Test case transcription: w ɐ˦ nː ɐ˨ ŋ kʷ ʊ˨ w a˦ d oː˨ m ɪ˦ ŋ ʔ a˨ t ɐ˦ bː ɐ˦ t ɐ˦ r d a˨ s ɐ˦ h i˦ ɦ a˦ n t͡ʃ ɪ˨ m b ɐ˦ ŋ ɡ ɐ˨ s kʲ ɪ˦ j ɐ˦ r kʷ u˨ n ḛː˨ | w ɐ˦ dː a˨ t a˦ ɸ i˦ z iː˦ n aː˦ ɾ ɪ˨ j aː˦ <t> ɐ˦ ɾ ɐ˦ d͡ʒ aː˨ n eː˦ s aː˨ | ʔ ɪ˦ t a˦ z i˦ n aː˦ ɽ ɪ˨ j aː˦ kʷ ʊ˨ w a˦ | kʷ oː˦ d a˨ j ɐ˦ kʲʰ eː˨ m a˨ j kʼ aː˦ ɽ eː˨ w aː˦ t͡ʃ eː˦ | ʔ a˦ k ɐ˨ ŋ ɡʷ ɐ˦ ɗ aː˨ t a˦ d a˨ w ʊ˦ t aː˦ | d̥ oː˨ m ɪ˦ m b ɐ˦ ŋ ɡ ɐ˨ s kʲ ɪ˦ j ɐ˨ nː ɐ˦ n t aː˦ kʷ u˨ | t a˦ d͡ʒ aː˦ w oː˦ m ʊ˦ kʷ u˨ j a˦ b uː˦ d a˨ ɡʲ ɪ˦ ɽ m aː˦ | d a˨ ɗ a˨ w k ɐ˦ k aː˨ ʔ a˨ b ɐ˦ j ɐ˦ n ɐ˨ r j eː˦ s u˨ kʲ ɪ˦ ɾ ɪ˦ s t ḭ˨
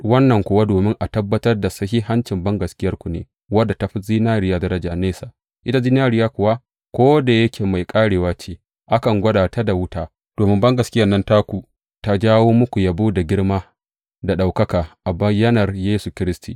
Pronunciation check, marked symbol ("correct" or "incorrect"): incorrect